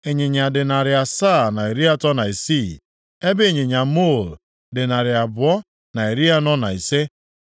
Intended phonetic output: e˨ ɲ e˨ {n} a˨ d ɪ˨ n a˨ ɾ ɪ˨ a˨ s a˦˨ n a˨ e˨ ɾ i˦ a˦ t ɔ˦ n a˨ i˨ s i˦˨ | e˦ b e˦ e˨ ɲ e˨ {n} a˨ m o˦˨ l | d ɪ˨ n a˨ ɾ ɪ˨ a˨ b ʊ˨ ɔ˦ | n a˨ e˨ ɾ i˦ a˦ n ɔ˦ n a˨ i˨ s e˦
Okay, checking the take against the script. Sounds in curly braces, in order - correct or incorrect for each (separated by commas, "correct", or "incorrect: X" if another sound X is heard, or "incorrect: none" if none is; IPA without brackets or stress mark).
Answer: incorrect: ɲ, incorrect: ɲ